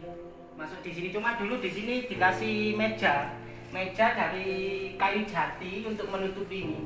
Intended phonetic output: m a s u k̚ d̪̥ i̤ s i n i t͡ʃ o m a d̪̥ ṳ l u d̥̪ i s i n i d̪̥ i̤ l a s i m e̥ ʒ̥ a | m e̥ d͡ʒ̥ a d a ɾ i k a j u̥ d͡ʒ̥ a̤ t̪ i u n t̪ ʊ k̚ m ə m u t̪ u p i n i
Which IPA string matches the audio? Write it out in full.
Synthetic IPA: m a s ʊ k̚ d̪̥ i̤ s i n i t͡ʃ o m a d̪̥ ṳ l u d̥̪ i s i n i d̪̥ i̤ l a s i m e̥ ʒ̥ a | m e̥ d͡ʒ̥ a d a ɾ i k a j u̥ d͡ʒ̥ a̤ t̪ i u n t̪ ʊ k̚ m ə n u t̪ u p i n i